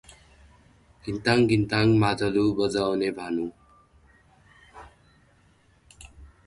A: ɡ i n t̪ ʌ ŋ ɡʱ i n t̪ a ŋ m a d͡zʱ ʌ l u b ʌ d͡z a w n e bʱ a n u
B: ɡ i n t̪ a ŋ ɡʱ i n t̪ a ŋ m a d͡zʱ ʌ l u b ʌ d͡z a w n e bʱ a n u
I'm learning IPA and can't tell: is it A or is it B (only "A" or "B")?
B